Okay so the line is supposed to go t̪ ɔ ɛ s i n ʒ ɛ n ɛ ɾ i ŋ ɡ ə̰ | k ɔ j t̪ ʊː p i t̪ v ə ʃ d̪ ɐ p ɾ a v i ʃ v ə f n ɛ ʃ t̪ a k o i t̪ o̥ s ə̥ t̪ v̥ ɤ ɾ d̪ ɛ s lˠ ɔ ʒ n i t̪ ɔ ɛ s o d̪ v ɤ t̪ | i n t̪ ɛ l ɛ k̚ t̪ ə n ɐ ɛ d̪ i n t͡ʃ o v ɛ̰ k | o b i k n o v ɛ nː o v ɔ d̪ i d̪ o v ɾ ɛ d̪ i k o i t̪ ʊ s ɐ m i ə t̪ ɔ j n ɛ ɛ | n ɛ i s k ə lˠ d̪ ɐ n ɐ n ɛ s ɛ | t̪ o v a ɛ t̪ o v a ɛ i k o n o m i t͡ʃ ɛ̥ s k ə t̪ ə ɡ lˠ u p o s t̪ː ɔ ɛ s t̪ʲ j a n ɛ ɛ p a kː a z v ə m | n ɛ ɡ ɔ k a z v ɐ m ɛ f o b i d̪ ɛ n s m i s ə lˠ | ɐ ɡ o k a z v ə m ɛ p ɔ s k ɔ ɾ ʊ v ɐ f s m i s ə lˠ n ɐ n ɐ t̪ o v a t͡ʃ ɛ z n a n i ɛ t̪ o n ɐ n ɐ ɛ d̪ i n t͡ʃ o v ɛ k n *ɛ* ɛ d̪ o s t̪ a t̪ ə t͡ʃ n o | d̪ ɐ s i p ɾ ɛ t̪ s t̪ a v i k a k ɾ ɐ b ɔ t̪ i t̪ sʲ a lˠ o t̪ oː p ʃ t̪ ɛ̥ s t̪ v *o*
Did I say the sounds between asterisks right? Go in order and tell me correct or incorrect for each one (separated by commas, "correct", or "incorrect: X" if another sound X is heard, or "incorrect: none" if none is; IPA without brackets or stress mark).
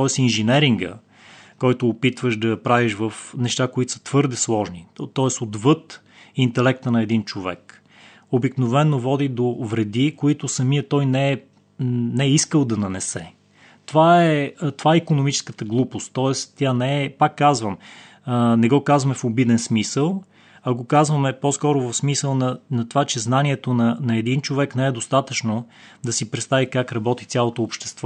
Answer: correct, incorrect: ɔ